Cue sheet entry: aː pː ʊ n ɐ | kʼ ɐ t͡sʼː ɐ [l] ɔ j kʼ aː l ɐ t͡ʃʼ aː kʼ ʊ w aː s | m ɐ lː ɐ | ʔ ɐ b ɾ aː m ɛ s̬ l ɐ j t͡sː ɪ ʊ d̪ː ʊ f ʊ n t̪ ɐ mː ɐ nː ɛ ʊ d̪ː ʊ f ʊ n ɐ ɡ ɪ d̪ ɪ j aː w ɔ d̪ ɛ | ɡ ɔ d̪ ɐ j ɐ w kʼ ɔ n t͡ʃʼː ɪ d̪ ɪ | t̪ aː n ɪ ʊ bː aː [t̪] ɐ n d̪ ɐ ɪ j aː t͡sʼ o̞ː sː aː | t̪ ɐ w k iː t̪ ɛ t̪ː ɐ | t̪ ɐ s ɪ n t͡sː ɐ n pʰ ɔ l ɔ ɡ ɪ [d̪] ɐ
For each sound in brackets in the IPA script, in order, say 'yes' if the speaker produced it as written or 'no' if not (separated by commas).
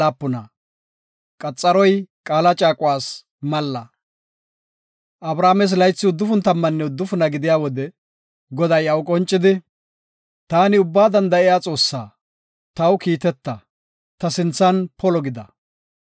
no, no, yes